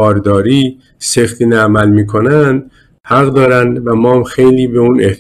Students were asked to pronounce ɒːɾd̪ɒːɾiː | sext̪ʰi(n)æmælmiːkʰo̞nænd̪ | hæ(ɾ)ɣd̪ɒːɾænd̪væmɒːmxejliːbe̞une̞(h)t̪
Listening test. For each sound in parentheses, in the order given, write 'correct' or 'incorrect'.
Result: correct, incorrect: none, correct

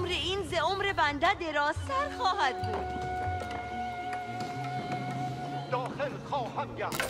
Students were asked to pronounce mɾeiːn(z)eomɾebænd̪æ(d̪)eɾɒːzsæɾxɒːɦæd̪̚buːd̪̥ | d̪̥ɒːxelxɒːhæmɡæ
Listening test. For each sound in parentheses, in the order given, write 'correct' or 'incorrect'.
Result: correct, correct

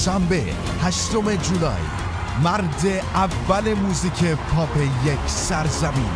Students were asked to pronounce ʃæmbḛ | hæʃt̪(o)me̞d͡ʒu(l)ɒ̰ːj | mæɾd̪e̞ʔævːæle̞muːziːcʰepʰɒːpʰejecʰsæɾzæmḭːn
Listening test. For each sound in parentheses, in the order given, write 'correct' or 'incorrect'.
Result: correct, correct

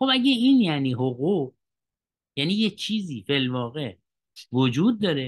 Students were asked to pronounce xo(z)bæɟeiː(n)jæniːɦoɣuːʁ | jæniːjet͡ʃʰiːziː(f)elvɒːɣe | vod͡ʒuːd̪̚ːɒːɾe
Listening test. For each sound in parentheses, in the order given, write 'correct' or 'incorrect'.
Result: incorrect: none, correct, correct

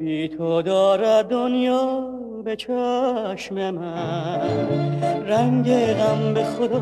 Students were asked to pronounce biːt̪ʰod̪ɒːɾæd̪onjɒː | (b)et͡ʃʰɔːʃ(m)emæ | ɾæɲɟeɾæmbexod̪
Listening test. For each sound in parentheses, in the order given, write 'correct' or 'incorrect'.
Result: correct, correct

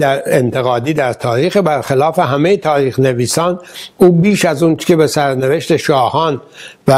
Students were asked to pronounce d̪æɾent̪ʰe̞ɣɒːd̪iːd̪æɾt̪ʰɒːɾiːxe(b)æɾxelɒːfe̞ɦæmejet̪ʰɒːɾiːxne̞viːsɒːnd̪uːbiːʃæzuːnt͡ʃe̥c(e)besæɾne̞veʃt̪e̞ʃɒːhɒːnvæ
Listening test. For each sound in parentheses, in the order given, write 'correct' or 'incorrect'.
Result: correct, correct

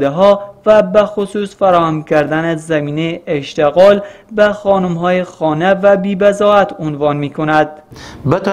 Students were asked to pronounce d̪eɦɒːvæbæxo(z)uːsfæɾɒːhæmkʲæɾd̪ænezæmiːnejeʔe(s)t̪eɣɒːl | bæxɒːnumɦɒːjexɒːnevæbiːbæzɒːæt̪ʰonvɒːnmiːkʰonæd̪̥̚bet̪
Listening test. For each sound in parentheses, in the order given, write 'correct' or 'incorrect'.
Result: incorrect: s, incorrect: ʃ

